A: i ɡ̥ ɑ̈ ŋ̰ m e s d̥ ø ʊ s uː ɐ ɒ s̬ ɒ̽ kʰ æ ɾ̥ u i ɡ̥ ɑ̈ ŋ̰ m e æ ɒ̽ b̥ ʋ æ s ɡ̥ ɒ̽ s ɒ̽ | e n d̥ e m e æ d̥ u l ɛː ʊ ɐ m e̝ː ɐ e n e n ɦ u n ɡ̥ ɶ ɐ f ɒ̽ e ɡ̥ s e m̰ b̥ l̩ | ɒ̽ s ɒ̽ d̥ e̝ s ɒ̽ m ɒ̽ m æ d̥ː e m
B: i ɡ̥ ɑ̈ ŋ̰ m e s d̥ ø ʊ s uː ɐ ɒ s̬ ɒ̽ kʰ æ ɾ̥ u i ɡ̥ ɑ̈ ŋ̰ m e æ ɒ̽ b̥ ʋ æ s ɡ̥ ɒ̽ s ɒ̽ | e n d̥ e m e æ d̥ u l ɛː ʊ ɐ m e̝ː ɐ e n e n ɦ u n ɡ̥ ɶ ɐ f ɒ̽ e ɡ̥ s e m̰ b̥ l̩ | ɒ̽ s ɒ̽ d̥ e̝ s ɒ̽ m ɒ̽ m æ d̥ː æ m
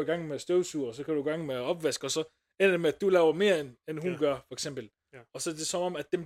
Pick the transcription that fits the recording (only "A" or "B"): A